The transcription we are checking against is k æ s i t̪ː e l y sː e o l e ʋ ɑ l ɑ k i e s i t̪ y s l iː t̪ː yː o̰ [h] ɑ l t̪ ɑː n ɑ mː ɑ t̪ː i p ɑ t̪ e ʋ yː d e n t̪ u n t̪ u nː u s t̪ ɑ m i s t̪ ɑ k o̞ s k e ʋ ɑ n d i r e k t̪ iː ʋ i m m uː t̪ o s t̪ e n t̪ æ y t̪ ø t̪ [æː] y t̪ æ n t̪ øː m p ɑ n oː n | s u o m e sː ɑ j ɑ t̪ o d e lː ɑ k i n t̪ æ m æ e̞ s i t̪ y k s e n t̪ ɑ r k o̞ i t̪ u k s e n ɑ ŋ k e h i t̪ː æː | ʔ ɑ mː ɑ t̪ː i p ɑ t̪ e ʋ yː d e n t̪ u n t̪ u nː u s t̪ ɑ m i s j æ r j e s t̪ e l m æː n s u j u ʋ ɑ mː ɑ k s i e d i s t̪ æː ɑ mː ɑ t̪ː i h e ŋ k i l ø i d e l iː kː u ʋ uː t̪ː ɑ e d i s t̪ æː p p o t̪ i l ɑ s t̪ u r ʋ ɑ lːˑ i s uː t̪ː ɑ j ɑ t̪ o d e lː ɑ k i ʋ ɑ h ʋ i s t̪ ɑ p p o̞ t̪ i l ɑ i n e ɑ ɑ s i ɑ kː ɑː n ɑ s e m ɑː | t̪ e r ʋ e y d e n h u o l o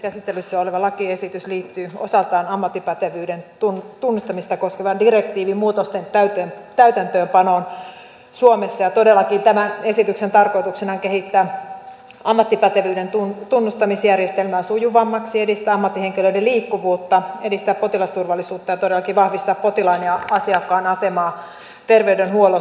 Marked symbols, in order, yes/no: no, no

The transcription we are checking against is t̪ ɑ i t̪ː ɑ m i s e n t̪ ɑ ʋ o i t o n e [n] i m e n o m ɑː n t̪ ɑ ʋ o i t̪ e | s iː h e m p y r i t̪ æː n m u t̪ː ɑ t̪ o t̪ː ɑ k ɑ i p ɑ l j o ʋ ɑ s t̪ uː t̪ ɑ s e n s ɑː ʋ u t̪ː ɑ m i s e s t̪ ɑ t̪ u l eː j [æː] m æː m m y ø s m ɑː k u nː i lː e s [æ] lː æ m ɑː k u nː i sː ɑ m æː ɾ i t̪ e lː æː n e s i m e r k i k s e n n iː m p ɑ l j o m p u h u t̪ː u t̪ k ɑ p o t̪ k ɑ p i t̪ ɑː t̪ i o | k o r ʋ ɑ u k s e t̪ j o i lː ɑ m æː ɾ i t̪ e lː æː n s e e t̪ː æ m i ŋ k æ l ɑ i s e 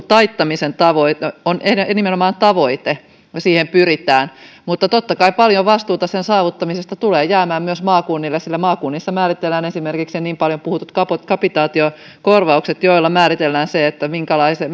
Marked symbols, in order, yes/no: yes, yes, no

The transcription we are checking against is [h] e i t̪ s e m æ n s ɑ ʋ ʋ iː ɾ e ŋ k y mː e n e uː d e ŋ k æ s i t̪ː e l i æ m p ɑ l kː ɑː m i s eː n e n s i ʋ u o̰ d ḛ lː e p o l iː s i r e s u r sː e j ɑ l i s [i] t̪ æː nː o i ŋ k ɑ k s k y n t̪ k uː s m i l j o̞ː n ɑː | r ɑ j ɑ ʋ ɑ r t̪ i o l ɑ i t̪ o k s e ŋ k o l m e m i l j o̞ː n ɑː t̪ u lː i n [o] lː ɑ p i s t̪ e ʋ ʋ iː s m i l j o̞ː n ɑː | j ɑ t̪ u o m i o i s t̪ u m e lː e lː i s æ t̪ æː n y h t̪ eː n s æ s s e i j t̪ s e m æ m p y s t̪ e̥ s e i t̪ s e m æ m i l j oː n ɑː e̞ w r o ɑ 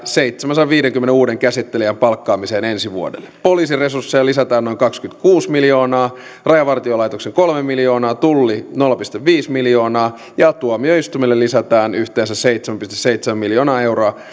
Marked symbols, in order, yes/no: no, no, yes

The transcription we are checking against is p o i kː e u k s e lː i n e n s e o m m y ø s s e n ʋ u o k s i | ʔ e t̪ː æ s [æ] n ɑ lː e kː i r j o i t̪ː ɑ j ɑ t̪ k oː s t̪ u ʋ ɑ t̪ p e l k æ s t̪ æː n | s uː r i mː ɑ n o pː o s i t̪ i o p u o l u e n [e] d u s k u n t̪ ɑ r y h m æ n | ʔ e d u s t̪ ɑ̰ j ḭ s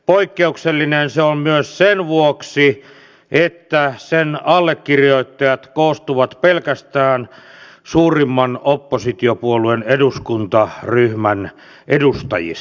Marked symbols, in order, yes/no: no, yes

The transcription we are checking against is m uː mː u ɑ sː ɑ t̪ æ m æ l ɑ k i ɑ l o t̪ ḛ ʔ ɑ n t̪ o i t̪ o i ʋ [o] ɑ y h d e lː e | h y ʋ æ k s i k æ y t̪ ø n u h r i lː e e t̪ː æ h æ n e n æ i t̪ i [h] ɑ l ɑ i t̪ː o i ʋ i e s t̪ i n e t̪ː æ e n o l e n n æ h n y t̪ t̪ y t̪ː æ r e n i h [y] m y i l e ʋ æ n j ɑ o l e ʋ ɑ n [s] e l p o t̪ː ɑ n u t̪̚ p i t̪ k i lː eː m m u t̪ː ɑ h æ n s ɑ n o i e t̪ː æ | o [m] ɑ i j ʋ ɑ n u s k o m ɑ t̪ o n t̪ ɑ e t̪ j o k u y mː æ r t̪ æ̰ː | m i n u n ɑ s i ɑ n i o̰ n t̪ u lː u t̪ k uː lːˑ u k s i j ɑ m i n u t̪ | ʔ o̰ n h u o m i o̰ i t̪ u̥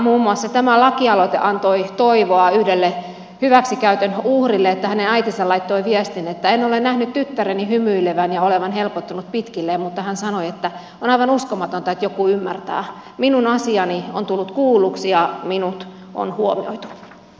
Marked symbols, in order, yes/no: yes, no, yes, no, no

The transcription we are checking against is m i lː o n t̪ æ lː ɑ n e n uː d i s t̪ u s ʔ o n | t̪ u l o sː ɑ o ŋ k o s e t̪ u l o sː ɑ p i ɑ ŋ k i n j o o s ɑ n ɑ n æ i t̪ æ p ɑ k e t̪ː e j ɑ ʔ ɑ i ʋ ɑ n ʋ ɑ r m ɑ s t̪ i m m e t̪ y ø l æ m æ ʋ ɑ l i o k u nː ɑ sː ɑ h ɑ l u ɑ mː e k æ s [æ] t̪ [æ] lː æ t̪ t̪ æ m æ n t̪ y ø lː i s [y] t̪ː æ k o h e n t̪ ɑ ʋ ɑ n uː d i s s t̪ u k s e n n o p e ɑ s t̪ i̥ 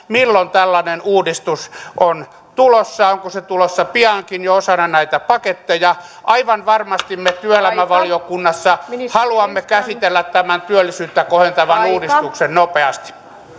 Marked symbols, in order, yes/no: no, no, no

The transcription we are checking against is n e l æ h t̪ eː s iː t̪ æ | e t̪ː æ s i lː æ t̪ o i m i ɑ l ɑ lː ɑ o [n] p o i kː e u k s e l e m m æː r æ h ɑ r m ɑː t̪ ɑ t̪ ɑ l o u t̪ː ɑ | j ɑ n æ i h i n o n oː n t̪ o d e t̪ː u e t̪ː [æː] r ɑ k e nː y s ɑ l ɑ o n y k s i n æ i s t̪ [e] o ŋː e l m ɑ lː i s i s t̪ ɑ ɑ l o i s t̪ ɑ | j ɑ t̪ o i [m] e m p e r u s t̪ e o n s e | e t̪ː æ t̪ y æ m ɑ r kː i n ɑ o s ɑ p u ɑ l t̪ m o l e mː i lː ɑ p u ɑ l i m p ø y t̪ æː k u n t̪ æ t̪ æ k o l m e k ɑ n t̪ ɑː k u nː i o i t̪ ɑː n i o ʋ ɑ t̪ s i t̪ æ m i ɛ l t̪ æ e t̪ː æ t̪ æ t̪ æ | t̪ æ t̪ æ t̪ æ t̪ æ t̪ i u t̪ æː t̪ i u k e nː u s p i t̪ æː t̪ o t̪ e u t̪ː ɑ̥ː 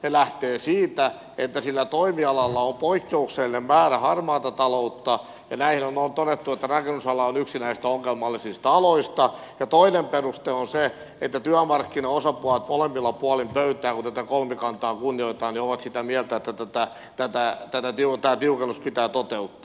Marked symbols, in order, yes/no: no, no, no, no

